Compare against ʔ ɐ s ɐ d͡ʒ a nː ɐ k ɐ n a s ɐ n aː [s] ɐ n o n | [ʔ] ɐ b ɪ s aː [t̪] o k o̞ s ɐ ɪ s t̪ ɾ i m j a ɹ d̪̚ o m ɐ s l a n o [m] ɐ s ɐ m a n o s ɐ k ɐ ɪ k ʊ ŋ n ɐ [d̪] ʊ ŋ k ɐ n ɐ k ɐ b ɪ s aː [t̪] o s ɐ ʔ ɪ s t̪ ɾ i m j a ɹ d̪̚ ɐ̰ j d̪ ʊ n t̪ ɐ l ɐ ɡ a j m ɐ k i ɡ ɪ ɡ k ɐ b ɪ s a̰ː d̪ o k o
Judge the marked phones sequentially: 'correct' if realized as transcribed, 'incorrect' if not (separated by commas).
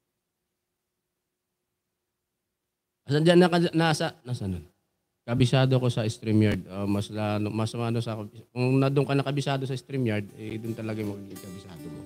correct, incorrect, incorrect, correct, correct, incorrect